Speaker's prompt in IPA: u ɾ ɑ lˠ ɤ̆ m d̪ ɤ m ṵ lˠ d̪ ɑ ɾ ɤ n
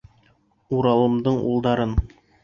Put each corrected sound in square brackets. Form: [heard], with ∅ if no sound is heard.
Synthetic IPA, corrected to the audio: u ɾ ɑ lˠ ɤ̆ m d̪ ɤ [ɴ] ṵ lˠ d̪ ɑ ɾ ɤ n